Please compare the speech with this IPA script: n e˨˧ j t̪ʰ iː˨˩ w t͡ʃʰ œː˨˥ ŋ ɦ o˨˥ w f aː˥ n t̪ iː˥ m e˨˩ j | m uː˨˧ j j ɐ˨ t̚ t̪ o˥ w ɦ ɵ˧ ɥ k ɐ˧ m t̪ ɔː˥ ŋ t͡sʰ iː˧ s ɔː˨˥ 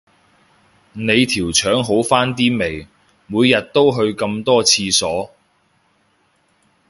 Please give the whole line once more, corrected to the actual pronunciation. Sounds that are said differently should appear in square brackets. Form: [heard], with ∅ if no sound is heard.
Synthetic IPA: n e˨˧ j t̪ʰ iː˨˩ w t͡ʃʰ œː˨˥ ŋ ɦ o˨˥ w f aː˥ n t̪ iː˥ m e˨˩ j | m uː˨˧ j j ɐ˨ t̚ t̪ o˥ w ɦ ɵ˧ ɥ k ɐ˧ m t̪ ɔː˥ [∅] t͡sʰ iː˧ s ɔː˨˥